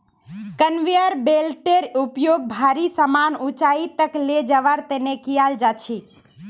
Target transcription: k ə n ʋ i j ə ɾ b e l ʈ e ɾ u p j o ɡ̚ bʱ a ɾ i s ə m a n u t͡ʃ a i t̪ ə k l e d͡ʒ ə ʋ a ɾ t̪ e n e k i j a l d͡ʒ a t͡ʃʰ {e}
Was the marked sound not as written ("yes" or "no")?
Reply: yes